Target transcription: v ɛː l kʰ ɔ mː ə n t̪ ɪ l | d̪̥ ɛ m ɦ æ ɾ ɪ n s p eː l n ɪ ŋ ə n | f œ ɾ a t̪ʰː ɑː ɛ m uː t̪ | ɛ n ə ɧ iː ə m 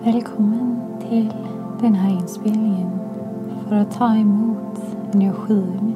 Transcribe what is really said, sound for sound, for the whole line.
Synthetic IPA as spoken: v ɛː l kʰ ɔ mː ə n t̪ʰ ɪ l | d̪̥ ɛ n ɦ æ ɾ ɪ n s p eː l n ɪ ŋ ə n | f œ ɾ a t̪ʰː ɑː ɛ m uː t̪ | ɛ n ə ɧ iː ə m